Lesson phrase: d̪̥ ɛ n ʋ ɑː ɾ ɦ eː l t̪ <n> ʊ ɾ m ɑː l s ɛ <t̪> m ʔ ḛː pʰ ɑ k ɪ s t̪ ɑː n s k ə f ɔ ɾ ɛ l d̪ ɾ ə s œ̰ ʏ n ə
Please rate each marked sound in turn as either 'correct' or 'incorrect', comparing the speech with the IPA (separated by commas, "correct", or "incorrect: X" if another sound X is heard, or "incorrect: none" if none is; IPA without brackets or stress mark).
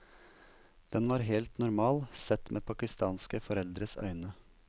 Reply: correct, correct